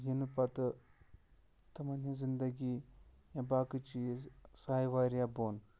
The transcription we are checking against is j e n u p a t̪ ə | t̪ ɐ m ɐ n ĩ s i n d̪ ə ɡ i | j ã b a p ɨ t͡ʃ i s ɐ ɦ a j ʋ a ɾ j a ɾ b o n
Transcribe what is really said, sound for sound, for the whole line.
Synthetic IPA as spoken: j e n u p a t̪ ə | t̪ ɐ m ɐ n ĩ z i n d̪ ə ɡ i | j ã b a k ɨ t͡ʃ i s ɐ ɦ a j ʋ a ɾ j a b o n